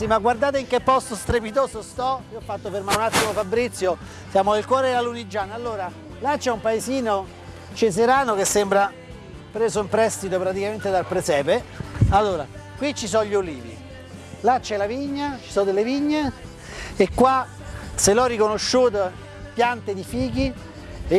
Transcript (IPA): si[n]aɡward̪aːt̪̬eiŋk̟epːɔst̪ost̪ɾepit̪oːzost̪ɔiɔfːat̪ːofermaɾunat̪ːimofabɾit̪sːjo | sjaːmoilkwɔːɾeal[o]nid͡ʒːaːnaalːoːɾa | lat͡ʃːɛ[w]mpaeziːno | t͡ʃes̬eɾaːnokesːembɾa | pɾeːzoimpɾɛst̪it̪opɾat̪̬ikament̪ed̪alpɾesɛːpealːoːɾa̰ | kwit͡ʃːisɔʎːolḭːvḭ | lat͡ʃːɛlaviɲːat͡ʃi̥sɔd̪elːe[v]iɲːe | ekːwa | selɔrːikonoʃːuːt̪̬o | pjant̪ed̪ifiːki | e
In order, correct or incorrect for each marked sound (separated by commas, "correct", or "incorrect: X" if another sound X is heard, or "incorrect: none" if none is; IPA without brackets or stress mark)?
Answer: incorrect: m, incorrect: u, incorrect: u, correct